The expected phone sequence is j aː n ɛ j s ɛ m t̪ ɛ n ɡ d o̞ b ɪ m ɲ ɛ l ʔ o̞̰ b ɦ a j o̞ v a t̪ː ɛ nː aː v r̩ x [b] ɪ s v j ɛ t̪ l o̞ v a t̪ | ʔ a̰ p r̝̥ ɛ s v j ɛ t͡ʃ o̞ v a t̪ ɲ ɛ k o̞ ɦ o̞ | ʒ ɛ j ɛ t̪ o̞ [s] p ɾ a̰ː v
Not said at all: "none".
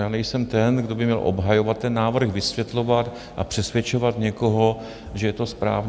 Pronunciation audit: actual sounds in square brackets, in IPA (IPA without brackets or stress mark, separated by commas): v, s